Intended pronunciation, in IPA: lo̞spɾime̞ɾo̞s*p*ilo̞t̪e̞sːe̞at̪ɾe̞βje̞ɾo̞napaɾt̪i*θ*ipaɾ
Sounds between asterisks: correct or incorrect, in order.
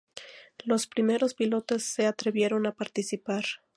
correct, incorrect: s

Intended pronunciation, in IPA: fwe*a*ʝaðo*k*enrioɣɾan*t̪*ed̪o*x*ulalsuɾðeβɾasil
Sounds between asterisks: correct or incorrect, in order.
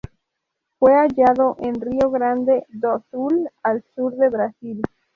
correct, incorrect: ʔ, incorrect: d̪, incorrect: s

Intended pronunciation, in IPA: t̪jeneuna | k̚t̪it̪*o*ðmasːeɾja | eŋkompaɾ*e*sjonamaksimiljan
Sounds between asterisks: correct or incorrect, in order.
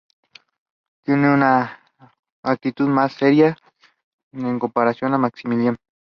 incorrect: u, incorrect: a

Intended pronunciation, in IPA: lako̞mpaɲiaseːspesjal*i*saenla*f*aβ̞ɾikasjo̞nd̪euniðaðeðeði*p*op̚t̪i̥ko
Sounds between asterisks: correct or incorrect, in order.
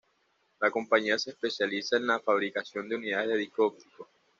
correct, correct, incorrect: k

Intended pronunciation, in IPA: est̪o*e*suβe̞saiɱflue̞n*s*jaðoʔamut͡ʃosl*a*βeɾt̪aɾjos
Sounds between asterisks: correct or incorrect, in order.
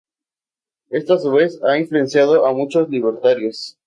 incorrect: a, correct, incorrect: i

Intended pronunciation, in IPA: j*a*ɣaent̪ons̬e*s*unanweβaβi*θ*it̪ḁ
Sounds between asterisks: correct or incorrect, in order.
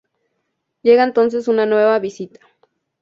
incorrect: e, correct, incorrect: s

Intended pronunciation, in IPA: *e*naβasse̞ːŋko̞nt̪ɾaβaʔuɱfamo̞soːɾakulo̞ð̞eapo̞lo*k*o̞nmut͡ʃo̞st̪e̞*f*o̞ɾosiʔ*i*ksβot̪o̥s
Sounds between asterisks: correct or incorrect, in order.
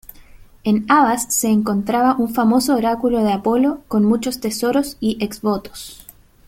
correct, correct, incorrect: s, incorrect: e

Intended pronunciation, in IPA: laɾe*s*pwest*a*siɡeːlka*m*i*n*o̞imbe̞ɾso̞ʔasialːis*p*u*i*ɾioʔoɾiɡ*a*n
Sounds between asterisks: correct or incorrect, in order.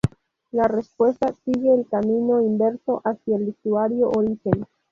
correct, correct, correct, correct, incorrect: t, incorrect: a, incorrect: e

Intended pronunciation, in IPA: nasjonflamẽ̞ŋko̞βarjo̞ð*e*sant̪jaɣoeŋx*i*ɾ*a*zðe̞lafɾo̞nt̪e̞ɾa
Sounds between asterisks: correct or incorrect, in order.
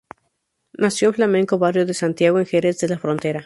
correct, incorrect: e, incorrect: e

